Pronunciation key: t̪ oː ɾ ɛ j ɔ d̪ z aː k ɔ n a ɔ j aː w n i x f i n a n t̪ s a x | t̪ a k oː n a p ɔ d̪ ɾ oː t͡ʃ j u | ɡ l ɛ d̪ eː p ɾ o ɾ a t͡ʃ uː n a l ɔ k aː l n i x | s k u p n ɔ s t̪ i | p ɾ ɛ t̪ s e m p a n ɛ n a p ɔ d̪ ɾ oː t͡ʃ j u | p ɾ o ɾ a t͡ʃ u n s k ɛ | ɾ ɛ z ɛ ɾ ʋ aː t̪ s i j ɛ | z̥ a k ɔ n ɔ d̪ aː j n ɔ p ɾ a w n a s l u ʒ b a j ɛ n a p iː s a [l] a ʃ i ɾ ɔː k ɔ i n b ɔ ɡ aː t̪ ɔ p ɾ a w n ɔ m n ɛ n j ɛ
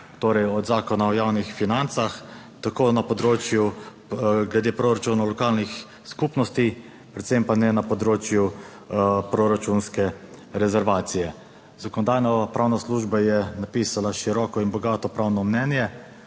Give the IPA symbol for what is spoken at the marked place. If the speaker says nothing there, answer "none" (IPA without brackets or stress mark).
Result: l